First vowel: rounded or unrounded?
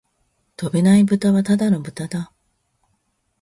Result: rounded